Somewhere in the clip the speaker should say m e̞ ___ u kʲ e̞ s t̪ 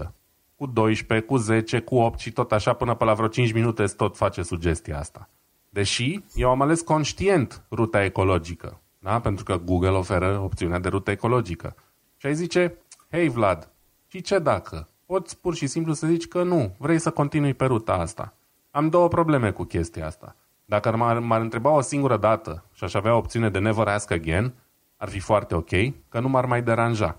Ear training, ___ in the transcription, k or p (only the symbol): k